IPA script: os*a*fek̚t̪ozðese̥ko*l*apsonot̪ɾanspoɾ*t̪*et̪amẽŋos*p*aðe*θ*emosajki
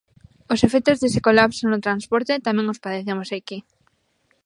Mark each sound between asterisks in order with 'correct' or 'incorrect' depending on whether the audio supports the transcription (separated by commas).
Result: incorrect, correct, correct, correct, correct